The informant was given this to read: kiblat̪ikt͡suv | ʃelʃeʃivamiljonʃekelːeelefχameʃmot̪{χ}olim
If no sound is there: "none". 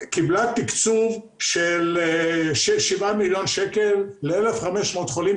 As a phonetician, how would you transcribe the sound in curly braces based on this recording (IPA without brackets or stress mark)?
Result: χ